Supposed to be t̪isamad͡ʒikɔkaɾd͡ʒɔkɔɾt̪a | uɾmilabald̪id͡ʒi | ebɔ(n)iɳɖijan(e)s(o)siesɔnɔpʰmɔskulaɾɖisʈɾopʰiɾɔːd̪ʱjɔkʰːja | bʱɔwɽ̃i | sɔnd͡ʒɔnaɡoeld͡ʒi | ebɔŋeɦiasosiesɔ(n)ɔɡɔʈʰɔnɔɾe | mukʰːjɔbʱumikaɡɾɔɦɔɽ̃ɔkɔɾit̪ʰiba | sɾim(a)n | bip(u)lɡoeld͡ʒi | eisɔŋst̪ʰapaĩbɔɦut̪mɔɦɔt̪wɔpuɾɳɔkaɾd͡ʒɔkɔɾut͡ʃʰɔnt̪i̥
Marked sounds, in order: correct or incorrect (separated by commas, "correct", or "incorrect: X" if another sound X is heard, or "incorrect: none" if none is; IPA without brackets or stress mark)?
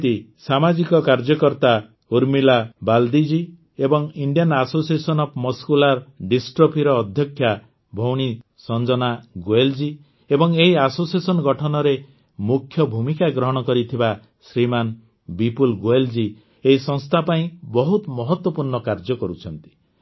incorrect: ŋ, incorrect: a, correct, correct, correct, correct